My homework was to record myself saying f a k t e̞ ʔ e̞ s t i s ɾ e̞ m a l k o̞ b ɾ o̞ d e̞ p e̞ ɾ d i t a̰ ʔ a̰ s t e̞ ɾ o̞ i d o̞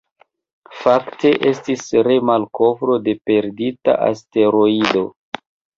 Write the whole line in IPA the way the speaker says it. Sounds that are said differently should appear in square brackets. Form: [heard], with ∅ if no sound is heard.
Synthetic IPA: f a k t e̞ ʔ e̞ s t i s ɾ e̞ m a l k o̞ [v] ɾ o̞ d e̞ p e̞ ɾ d i t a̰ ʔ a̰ s t e̞ ɾ o̞ i d o̞